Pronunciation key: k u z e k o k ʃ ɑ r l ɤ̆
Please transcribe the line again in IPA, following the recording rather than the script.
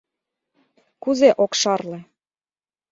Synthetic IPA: k u z e ʔ o k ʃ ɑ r l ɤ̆